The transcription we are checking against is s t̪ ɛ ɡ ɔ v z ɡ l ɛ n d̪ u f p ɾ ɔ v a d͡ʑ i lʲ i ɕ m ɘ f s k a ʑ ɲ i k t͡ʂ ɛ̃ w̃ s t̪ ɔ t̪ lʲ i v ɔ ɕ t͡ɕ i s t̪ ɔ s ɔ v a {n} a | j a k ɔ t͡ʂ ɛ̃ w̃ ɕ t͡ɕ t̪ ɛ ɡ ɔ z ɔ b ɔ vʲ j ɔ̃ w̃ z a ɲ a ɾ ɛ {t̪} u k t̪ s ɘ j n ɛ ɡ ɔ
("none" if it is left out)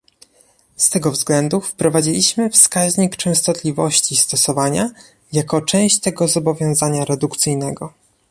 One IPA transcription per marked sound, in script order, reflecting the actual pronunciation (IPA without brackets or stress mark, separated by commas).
ɲ, d̪